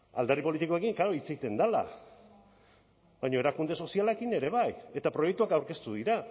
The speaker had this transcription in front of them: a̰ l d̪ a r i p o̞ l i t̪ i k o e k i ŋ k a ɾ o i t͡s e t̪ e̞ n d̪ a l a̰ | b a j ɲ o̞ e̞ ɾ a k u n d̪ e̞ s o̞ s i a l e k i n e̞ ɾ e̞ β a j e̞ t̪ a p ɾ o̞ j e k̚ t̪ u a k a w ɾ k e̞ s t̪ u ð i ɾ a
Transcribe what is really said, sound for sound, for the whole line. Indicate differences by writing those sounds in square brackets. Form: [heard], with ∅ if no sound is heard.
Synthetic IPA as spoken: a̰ l d̪ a r i p o̞ l i t̪ i k o e k i ŋ k a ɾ o i t͡s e t̪ e̞ n d̪ a l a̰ | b a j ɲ o̞ e̞ ɾ a k u n d̪ e̞ s o̞ s i a l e k i n e̞ ɾ e̞ β a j e̞ t̪ a p ɾ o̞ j e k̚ t̪ u a k a w ɾ k e̞ s t̪ u ð i ɾ a